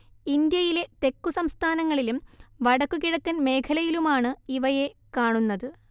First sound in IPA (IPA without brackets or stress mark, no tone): i